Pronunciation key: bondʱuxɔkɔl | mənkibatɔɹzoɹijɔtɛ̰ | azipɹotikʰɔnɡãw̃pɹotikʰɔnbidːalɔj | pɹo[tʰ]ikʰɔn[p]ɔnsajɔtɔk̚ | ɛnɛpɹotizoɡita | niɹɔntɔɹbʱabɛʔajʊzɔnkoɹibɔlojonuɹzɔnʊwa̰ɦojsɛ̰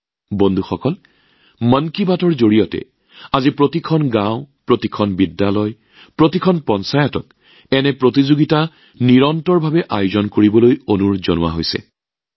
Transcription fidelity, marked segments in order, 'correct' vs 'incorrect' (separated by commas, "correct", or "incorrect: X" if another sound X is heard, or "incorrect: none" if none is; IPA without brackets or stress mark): incorrect: t, correct